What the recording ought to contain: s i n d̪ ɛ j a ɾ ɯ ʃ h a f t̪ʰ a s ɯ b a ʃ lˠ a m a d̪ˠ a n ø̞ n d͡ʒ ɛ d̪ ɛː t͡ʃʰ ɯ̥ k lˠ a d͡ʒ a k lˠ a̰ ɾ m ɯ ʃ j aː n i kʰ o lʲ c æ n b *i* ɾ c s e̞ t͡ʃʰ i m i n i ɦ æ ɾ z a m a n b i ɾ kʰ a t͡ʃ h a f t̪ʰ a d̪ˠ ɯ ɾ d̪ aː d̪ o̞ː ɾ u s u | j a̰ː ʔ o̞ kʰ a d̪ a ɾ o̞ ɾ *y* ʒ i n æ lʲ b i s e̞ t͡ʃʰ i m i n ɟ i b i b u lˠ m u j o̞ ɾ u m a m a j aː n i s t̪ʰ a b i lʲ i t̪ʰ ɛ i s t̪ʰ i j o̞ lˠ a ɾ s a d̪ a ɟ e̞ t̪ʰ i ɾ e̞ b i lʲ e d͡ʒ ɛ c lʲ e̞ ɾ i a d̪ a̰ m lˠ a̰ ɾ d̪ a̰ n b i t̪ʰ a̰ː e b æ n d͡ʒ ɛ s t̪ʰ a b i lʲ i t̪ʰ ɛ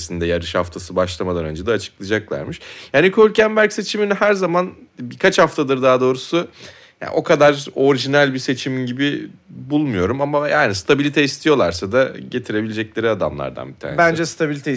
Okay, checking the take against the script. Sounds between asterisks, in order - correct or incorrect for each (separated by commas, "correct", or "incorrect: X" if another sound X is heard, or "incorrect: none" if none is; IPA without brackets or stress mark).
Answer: incorrect: æ, incorrect: i